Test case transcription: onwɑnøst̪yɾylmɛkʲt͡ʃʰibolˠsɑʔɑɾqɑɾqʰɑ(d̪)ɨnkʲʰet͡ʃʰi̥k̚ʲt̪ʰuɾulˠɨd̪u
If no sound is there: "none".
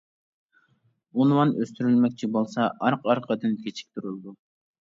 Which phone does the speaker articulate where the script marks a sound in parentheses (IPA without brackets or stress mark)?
d̪